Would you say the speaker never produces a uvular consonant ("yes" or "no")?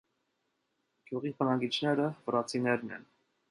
no